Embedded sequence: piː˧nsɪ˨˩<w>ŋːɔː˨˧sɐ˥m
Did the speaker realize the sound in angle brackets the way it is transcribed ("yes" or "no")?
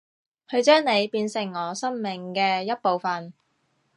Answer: no